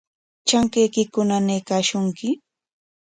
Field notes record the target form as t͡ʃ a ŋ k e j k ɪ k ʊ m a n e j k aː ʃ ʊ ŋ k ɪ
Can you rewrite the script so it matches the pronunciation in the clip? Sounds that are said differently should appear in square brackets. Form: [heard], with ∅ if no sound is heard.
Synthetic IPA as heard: t͡ʃ a ŋ k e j k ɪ k ʊ [n] a n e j k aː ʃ ʊ ŋ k ɪ